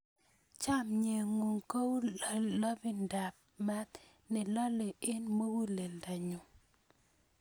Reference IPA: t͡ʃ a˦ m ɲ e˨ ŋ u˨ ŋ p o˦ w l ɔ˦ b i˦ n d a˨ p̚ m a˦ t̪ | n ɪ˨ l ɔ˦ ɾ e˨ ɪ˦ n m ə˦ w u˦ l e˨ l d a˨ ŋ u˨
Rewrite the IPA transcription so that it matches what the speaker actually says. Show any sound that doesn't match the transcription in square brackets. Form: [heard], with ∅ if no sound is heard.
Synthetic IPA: t͡ʃ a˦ m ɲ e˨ ŋ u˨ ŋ [k] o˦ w l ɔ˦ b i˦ n d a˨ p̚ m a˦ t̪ | n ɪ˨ l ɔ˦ [l] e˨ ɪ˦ n m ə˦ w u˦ l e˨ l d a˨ [ɲ] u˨